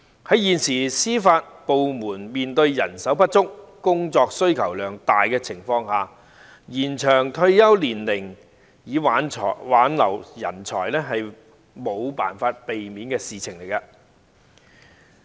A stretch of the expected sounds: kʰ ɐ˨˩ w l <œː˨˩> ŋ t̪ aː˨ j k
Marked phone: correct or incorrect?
correct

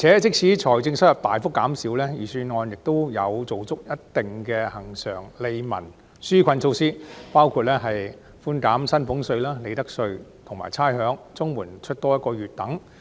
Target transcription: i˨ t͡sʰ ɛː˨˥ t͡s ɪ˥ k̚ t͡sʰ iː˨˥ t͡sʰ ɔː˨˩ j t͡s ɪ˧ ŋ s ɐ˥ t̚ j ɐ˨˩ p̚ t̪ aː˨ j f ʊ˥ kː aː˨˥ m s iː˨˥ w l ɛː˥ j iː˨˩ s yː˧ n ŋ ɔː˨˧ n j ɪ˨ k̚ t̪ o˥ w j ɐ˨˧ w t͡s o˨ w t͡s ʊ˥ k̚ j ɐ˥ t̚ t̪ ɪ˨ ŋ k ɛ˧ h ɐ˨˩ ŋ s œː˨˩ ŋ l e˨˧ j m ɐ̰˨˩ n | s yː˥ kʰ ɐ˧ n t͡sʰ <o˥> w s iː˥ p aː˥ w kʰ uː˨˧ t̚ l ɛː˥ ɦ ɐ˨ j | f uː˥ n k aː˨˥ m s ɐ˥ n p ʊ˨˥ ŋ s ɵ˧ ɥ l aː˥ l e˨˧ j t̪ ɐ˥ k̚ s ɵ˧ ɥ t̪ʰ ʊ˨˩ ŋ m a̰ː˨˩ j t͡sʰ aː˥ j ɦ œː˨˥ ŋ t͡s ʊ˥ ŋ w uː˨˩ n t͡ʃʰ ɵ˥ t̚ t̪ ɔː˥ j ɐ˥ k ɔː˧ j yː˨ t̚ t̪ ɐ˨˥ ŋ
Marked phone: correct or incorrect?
incorrect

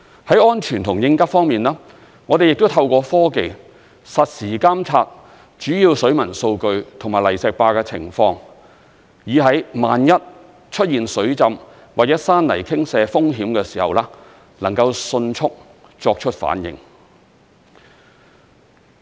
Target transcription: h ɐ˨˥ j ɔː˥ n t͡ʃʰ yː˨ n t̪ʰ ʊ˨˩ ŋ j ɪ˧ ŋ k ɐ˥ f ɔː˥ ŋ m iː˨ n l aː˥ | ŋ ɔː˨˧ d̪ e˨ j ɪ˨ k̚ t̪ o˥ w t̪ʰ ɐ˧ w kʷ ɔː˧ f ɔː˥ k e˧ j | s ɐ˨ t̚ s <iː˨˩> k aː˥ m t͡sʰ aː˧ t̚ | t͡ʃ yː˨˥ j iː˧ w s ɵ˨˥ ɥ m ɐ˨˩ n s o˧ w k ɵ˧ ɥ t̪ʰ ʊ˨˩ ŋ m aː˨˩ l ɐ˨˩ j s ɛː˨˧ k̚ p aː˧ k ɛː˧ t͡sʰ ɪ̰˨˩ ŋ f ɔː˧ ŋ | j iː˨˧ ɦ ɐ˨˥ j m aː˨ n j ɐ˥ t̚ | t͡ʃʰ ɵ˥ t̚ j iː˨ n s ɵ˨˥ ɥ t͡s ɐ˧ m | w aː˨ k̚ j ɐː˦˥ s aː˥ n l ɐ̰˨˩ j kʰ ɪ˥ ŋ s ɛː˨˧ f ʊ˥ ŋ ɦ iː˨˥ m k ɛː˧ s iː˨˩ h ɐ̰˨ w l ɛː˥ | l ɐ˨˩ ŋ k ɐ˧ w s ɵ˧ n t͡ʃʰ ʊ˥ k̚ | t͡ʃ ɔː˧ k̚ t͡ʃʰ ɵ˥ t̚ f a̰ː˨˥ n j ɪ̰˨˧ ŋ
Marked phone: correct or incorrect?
correct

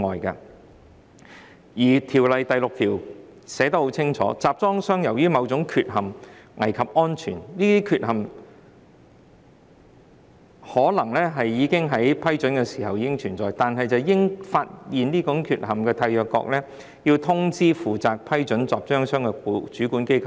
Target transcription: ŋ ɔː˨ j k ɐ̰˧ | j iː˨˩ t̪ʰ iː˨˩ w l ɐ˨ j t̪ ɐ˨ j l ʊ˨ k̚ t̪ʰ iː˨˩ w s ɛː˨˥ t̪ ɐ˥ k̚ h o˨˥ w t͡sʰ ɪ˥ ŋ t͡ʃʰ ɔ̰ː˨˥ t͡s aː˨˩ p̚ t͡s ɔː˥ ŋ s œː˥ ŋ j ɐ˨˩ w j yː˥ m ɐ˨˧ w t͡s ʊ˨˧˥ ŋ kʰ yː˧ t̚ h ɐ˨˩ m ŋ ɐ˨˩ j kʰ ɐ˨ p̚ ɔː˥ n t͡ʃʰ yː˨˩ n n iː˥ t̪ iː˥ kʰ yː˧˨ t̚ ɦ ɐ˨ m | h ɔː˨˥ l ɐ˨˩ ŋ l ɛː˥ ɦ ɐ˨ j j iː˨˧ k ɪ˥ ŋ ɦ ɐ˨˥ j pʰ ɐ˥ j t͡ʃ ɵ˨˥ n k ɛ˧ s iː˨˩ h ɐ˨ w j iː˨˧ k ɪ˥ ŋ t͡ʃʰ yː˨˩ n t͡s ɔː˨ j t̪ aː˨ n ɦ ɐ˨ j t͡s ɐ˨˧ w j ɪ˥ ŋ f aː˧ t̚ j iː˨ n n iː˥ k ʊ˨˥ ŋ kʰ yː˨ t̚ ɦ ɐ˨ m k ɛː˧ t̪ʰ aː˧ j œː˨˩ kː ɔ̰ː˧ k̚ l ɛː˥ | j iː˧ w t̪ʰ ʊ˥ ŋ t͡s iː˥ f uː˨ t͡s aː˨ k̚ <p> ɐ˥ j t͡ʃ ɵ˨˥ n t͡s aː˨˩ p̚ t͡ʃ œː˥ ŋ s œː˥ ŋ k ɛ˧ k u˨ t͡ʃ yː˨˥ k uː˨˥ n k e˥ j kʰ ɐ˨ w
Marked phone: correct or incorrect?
incorrect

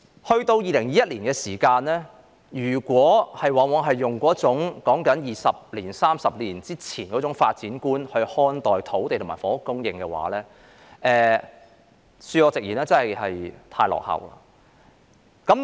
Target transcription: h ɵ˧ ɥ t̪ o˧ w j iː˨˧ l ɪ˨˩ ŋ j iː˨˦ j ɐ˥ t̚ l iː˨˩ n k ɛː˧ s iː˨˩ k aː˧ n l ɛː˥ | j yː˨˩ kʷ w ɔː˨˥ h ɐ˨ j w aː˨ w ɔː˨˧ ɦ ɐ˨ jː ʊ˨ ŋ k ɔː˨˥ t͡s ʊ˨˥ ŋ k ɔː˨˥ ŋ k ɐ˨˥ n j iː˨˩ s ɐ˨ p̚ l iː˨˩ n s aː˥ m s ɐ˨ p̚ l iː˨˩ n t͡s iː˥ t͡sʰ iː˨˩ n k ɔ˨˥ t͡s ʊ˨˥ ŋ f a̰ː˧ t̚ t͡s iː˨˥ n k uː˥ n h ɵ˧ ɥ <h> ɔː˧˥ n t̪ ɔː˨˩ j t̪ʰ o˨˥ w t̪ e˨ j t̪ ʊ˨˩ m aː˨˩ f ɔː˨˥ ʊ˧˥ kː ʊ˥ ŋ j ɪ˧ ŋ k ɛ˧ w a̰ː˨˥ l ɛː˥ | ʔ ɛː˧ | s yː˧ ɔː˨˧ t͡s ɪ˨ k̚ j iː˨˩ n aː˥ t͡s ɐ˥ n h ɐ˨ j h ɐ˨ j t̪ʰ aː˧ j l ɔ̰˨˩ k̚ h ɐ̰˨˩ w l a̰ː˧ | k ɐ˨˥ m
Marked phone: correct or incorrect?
correct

